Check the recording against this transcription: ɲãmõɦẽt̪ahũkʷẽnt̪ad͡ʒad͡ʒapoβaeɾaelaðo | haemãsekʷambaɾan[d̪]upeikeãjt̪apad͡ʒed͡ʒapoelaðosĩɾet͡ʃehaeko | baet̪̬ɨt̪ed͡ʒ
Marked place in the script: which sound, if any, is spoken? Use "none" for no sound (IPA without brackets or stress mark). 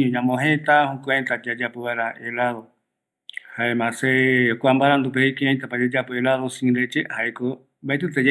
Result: d̪